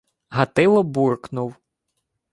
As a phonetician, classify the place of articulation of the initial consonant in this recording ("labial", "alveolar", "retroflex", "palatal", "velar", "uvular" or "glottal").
glottal